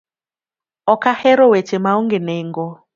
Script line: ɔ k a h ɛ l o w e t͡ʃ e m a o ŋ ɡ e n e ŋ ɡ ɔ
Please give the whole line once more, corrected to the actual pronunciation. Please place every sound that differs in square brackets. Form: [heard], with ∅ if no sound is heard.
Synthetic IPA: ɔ k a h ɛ [ɾ] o w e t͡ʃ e m a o ŋ ɡ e n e ŋ ɡ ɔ